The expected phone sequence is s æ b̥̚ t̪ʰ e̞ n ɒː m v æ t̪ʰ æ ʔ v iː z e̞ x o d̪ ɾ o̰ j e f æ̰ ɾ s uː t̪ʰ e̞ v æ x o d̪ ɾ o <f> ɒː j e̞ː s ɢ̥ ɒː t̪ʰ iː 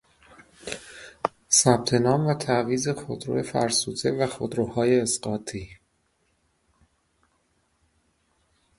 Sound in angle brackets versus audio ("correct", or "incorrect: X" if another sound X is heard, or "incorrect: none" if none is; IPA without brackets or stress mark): incorrect: h